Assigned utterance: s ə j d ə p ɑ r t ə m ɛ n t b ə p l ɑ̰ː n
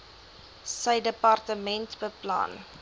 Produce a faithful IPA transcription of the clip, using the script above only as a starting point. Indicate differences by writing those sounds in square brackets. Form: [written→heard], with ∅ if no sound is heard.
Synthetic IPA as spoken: s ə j d ə p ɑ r t ə m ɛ n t b ə p l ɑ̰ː n